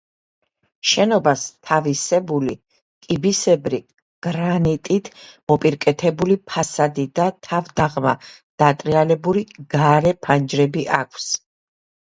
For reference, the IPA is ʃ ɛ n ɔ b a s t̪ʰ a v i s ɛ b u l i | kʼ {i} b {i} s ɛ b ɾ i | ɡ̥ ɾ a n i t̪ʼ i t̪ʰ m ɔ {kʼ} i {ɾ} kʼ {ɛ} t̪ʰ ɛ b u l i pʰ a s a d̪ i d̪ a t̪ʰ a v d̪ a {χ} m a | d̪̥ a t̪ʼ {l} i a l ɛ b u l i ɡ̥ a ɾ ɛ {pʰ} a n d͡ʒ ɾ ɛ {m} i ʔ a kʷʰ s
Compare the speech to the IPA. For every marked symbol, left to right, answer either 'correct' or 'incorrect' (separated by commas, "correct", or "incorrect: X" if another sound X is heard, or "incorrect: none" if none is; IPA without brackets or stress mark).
correct, correct, incorrect: pʼ, correct, correct, incorrect: ʁ, incorrect: ɾ, correct, incorrect: b